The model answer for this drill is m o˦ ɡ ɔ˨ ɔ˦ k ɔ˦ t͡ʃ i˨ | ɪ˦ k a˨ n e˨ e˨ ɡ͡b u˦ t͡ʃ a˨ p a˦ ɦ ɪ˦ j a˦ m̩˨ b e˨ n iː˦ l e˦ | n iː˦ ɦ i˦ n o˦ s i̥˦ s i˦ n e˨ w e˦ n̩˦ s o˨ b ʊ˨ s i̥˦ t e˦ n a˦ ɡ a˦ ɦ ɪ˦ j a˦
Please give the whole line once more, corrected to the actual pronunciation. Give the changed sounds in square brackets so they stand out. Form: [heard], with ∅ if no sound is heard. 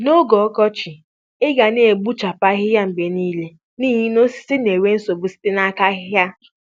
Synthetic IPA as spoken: [n] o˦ ɡ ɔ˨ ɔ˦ k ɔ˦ t͡ʃ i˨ | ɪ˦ [ɡ] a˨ n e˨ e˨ ɡ͡b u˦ t͡ʃ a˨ p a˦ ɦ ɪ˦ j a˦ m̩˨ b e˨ n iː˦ l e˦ | n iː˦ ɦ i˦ n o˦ s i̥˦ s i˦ n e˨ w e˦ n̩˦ s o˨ b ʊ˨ s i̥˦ t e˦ n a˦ [k] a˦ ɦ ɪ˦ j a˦